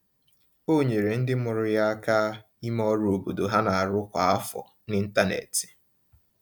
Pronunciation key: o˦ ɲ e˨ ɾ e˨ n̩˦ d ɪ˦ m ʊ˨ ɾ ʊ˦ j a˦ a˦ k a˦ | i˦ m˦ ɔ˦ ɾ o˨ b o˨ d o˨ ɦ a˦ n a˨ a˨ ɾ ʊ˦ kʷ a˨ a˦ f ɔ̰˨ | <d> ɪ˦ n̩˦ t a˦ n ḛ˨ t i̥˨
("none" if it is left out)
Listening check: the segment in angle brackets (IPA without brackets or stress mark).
n